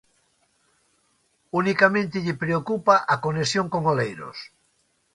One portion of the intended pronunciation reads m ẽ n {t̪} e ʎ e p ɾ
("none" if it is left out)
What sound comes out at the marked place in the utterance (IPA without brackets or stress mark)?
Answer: t̪